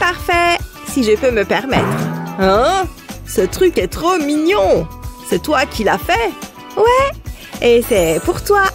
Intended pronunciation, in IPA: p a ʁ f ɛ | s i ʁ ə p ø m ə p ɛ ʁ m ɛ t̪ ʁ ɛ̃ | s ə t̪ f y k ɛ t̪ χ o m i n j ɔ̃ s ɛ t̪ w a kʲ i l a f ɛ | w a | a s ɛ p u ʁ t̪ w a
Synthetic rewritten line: p a ʁ f ɛ | s i ʒ ə p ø m ə p ɛ ʁ m ɛ t̪ χ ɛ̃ | s ə t̪ χ y k ɛ t̪ χ o m i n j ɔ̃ s ɛ t̪ w a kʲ i l a f ɛ | w ɛ | e s ɛ p u ʁ t̪ w a